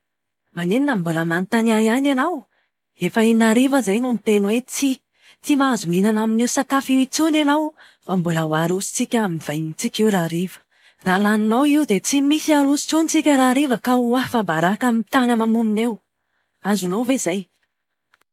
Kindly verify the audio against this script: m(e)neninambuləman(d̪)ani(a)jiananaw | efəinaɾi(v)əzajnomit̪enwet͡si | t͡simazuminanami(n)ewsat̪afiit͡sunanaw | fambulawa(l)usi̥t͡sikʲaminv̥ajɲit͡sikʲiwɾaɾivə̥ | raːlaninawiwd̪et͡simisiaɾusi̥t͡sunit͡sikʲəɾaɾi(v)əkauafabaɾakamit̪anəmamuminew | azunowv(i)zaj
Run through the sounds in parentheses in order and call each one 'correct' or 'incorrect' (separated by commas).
incorrect, incorrect, correct, correct, correct, incorrect, correct, incorrect